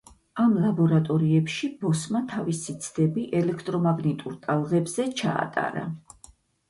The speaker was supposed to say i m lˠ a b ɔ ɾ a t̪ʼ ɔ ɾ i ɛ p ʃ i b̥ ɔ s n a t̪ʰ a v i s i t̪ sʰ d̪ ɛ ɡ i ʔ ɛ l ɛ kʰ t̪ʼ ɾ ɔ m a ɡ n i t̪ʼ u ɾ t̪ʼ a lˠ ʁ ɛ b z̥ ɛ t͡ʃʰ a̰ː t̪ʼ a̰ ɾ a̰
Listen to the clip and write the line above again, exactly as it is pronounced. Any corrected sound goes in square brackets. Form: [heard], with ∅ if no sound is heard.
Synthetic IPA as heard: [a] m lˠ a b ɔ ɾ a t̪ʼ ɔ ɾ i ɛ p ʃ i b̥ ɔ s [m] a t̪ʰ a v i s i t̪ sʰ d̪ ɛ [b] i ʔ ɛ l ɛ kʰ t̪ʼ ɾ ɔ m a ɡ n i t̪ʼ u ɾ t̪ʼ a lˠ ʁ ɛ b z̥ ɛ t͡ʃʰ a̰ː t̪ʼ a̰ ɾ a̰